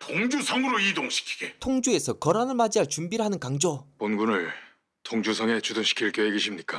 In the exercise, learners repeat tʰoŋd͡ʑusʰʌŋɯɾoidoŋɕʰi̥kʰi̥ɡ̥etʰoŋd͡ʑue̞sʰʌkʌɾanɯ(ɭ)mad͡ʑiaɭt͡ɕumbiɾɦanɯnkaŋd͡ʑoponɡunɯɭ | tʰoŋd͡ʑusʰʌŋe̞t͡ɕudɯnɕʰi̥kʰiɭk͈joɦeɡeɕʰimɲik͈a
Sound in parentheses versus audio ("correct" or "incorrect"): correct